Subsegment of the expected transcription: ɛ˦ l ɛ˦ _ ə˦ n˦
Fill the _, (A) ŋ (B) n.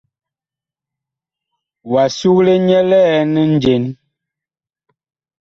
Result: B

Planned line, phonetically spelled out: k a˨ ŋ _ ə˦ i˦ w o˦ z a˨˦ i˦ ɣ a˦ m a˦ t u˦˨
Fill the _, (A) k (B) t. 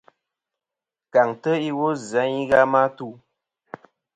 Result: B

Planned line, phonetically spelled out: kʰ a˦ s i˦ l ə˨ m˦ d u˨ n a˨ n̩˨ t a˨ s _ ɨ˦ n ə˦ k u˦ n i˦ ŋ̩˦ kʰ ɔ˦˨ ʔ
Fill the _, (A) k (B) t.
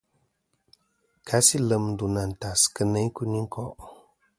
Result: A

